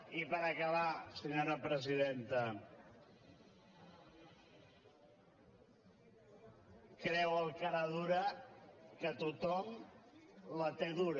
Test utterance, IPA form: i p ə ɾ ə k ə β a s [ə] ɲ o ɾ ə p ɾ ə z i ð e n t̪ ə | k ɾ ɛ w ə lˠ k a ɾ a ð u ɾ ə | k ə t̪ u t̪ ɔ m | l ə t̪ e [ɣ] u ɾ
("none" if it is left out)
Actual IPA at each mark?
ə, ð

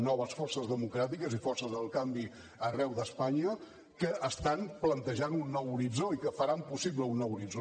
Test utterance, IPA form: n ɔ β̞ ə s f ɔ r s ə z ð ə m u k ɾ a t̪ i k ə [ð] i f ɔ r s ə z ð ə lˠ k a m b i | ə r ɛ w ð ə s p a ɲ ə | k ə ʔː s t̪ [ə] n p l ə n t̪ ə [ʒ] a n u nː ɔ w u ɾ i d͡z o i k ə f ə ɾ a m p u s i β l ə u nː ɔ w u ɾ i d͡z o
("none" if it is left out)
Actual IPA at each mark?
z, a, ʒ

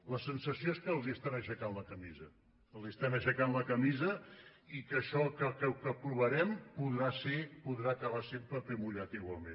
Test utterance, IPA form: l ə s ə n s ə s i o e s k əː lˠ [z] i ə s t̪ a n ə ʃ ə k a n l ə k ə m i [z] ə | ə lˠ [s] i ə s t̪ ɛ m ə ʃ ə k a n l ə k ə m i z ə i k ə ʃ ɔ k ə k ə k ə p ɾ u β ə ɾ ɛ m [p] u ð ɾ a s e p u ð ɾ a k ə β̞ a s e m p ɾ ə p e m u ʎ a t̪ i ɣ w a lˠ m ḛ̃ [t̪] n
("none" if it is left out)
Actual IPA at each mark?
z, z, z, p, none

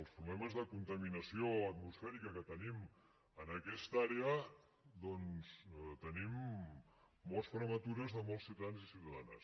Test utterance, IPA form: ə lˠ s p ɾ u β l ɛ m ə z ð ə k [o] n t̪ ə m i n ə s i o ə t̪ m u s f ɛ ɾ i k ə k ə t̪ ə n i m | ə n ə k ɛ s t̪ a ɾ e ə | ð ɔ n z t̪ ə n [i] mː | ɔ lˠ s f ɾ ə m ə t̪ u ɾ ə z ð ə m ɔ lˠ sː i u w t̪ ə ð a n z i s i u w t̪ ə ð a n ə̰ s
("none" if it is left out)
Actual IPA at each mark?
u, i

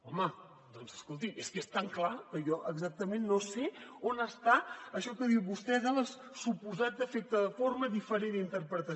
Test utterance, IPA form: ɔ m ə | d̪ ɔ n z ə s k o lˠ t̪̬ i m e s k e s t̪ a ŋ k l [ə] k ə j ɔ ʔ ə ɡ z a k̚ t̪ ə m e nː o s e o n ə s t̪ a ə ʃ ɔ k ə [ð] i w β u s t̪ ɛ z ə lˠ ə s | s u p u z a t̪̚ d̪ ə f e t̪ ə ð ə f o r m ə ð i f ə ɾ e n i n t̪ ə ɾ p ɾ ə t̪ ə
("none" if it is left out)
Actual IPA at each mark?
a, ð

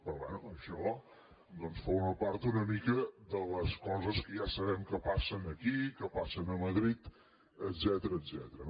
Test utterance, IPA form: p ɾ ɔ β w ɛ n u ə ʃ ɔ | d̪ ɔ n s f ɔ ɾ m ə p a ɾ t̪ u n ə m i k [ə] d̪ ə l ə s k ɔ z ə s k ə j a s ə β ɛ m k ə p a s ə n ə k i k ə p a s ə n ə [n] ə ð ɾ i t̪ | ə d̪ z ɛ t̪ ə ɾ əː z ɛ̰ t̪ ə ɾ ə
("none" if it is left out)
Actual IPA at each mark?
ə, m

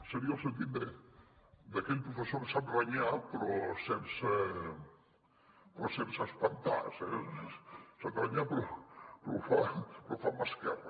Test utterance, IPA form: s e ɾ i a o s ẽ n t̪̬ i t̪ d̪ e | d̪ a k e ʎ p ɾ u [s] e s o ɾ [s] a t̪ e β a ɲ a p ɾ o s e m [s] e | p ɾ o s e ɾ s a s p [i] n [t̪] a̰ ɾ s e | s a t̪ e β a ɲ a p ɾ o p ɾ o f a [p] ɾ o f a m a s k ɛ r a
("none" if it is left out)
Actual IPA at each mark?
f, s, s, a, t̪, p

